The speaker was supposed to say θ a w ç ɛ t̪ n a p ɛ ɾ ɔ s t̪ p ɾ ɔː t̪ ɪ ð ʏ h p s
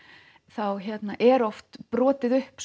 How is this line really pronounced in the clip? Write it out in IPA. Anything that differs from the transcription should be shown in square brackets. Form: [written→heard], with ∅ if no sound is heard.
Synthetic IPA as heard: θ a w ç ɛ t̪ n a [p→ʔ] ɛ ɾ ɔ [s→f] t̪ p ɾ ɔː t̪ ɪ ð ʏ h p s